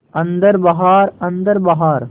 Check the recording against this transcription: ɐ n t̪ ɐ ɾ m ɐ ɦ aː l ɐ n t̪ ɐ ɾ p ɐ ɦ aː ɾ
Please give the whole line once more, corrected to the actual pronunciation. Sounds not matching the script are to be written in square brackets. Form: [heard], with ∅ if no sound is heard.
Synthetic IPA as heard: ɐ n [d̪] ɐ ɾ [b] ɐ ɦ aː [ɾ] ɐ n [d̪] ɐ ɾ [b] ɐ ɦ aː ɾ